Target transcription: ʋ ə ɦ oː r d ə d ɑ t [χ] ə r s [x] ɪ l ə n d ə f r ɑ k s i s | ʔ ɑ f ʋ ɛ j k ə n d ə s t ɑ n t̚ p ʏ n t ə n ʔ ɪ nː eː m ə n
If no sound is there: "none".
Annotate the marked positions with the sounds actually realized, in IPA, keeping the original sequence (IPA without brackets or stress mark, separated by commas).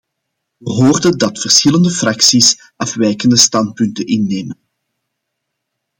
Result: f, x